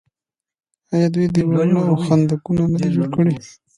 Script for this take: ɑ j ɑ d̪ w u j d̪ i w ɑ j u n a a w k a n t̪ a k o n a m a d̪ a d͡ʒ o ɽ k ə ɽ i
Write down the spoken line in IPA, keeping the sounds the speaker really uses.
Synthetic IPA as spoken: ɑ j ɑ d̪ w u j d̪ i w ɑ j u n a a w x a n d̪ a k u n a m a d̪ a d͡ʒ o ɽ k ə ɽ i